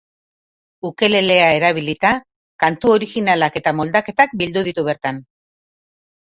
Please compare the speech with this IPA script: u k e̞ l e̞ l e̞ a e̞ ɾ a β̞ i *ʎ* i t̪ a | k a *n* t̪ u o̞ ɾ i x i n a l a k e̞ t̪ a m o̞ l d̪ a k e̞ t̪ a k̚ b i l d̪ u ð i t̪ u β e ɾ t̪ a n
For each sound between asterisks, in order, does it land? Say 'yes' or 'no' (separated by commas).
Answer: no, yes